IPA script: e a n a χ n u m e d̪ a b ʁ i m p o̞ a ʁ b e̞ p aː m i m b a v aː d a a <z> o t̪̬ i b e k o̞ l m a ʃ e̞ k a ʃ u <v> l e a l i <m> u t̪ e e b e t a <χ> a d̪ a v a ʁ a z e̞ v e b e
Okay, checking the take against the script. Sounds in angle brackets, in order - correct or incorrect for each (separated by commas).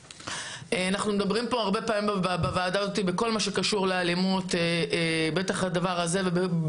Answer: correct, incorrect, correct, correct